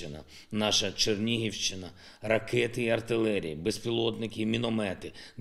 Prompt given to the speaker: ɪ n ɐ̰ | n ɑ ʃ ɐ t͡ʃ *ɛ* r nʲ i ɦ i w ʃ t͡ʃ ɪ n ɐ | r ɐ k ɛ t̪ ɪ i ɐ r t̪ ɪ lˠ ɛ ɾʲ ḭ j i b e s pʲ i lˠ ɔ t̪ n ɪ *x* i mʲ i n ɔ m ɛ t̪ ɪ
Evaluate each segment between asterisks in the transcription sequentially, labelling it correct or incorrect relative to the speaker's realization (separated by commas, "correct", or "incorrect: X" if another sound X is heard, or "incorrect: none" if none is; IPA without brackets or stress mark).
incorrect: e, incorrect: k